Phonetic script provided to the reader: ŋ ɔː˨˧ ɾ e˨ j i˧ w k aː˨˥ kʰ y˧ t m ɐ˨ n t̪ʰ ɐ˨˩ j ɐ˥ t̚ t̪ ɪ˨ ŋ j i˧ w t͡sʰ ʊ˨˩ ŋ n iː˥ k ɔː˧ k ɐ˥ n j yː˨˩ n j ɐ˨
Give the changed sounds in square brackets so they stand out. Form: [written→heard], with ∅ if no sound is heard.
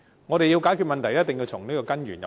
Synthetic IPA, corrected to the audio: ŋ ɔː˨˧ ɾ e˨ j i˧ w k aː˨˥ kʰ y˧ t m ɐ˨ n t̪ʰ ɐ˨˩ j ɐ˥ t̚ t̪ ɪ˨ ŋ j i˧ w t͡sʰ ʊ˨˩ ŋ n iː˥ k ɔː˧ k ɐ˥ n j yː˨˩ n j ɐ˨

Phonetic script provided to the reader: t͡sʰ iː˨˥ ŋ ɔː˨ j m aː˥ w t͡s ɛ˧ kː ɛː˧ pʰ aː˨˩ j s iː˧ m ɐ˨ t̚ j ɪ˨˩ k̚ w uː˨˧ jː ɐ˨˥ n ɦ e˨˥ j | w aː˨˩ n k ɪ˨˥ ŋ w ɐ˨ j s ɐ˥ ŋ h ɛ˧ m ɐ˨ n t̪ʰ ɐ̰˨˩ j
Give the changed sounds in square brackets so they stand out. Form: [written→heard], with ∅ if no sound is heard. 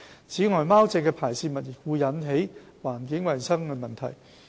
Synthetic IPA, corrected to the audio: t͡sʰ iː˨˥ ŋ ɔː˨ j m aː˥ w t͡s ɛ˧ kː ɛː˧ pʰ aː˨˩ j s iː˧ m ɐ˨ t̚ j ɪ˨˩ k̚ w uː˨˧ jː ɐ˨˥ n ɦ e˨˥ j | w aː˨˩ n k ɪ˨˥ ŋ w ɐ˨ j s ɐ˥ ŋ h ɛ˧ m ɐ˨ n t̪ʰ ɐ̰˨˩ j

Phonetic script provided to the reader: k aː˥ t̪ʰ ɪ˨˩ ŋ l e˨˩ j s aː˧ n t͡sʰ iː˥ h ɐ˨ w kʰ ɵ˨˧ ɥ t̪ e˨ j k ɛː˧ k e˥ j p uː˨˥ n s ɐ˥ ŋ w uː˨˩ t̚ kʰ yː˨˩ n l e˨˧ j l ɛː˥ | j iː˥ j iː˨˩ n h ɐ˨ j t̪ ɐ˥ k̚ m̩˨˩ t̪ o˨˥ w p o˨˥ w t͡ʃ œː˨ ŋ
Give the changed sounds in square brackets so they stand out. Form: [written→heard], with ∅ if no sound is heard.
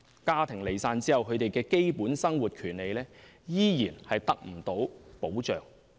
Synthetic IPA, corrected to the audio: k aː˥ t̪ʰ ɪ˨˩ ŋ l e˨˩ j s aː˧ n [t͡sʰ→t͡s] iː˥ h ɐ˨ w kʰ ɵ˨˧ ɥ t̪ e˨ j k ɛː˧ k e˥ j p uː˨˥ n s ɐ˥ ŋ w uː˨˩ t̚ kʰ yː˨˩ n l e˨˧ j l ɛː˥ | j iː˥ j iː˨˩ n h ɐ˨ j t̪ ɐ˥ k̚ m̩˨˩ t̪ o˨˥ w p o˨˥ w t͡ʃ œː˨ ŋ

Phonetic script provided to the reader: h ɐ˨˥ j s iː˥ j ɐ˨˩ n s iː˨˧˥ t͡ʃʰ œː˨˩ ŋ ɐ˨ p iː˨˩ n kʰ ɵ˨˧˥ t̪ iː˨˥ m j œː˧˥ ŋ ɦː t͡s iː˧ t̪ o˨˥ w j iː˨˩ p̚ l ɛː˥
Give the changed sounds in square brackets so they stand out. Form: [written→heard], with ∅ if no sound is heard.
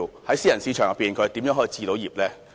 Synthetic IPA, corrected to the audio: h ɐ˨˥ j s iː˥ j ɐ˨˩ n s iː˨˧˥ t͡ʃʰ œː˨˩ ŋ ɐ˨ p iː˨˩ n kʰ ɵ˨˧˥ t̪ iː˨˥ m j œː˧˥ ŋ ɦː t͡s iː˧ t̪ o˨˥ w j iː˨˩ p̚ l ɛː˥

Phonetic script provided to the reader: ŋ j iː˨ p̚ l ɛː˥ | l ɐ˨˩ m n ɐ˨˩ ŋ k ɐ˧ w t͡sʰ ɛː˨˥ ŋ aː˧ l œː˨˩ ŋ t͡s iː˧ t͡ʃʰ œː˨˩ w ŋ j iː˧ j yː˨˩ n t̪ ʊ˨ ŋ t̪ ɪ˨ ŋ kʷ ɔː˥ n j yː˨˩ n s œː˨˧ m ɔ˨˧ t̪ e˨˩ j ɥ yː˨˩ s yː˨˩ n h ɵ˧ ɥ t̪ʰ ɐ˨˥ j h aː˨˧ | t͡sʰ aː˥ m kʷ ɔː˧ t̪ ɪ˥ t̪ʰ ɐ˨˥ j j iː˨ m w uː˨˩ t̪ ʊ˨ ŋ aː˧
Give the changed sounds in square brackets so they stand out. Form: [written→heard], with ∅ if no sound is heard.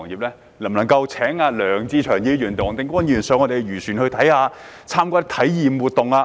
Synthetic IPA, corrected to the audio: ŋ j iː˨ p̚ l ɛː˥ | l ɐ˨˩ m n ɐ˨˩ ŋ k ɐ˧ w t͡sʰ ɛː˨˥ ŋ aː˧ l œː˨˩ ŋ t͡s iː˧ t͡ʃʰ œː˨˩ [w→∅] ŋ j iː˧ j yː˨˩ n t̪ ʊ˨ ŋ t̪ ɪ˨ ŋ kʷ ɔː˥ n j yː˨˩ n s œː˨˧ [m→ŋ] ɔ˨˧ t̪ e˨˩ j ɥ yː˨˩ s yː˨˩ n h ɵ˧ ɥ t̪ʰ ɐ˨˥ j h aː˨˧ | t͡sʰ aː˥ m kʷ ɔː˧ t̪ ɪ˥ t̪ʰ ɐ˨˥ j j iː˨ m w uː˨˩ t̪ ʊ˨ ŋ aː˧

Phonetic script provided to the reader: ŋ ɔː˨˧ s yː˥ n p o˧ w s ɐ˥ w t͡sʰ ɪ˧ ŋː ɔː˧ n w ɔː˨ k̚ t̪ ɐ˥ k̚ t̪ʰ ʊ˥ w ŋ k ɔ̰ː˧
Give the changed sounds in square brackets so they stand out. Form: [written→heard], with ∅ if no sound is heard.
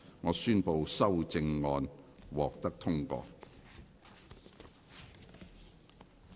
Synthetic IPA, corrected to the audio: ŋ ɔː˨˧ s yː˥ n p o˧ w s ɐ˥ w [t͡sʰ→t͡s] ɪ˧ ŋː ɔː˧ n w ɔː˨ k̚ t̪ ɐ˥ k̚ t̪ʰ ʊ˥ [w→∅] ŋ k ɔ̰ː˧

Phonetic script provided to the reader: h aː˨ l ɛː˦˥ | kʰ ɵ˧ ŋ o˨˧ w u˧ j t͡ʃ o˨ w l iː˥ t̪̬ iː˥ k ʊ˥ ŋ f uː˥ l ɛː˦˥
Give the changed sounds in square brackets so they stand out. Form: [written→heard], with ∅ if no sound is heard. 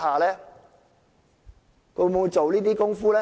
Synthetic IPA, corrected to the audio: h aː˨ l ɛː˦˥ | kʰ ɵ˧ [ŋ→m] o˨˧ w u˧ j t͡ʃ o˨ w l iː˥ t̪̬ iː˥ k ʊ˥ ŋ f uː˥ l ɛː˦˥

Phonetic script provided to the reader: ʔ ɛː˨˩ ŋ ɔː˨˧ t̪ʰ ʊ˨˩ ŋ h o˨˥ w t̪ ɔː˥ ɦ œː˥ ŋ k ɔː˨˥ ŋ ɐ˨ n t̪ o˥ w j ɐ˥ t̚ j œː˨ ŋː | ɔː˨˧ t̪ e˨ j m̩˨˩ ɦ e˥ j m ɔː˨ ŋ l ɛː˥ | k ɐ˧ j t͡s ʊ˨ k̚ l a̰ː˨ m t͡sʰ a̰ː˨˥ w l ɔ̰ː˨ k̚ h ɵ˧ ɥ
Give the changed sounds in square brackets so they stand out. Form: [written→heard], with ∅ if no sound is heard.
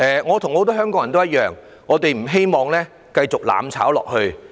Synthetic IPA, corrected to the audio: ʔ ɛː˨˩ ŋ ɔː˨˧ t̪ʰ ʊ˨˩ ŋ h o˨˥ w t̪ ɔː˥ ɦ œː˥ ŋ k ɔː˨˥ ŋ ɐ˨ n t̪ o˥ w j ɐ˥ t̚ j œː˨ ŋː | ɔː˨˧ t̪ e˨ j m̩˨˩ ɦ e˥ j m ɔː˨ ŋ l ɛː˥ | k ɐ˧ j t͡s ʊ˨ k̚ l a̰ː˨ m t͡sʰ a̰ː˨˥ w l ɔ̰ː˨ k̚ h ɵ˧ ɥ

